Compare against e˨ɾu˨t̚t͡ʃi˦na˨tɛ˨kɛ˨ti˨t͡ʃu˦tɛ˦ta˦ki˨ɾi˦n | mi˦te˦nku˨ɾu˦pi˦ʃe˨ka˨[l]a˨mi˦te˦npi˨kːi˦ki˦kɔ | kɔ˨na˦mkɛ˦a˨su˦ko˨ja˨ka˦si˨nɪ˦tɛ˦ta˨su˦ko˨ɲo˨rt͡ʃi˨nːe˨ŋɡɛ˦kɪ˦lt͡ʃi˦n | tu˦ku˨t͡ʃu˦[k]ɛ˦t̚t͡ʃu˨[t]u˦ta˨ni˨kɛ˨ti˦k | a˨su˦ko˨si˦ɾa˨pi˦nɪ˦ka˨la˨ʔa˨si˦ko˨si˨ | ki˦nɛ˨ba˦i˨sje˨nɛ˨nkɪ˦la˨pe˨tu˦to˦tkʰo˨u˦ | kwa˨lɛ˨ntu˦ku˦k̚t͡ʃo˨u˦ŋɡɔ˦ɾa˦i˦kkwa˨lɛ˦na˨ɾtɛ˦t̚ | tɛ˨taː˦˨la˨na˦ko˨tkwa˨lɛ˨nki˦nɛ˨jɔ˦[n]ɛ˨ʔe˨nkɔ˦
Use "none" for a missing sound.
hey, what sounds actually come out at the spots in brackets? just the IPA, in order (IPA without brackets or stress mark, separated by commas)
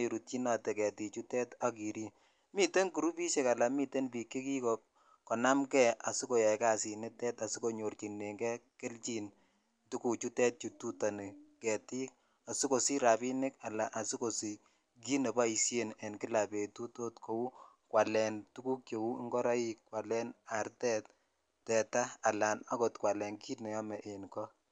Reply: l, t, t, m